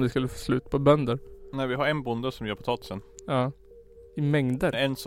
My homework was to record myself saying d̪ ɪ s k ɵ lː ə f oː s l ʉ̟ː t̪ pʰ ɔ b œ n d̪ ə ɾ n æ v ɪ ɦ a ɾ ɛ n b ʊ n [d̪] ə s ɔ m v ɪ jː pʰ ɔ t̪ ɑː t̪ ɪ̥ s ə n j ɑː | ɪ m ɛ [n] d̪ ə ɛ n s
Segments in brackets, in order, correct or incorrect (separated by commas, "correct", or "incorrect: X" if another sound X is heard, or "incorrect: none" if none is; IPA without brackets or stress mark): correct, incorrect: ŋ